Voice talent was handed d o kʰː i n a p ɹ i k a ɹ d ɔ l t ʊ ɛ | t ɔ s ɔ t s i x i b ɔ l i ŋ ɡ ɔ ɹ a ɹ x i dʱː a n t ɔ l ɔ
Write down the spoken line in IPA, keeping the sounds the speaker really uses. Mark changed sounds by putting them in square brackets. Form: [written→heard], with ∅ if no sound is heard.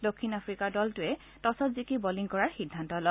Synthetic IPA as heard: d o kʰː i n a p ɹ i k a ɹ d ɔ l t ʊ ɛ | t ɔ s ɔ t [s→z] i [x→k] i b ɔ l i ŋ [ɡ→k] ɔ ɹ a ɹ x i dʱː a n t ɔ l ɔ